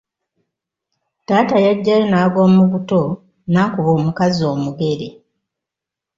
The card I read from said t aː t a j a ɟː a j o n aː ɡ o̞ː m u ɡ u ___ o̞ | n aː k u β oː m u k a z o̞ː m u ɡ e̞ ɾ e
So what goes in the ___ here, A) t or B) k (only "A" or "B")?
A